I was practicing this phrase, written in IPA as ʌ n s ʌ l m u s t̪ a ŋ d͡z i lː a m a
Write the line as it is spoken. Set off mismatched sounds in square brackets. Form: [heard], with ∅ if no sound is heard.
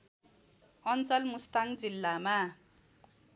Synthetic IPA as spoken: ʌ n [t͡s] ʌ l m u s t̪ a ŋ d͡z i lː a m a